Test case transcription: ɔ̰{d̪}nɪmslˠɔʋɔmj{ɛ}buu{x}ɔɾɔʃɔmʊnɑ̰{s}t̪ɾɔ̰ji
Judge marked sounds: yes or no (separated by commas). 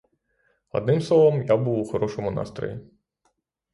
yes, no, yes, yes